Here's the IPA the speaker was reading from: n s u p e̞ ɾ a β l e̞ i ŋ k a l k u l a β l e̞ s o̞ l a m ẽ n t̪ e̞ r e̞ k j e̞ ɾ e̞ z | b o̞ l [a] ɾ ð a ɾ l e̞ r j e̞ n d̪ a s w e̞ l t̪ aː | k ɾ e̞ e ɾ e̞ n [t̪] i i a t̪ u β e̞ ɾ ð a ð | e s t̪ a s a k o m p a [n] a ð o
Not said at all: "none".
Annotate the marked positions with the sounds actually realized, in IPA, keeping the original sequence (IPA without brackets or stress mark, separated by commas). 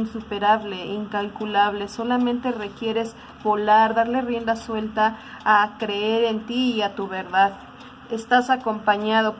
a, t̪, ɲ